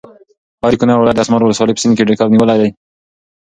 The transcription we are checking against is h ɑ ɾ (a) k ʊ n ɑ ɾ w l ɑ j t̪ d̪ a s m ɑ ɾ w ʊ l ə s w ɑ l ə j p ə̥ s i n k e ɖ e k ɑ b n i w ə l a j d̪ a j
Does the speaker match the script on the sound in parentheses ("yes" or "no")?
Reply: no